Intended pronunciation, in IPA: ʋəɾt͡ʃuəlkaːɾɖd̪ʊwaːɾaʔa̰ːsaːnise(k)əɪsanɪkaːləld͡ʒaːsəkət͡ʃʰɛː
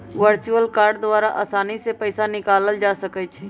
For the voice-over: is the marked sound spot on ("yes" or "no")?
no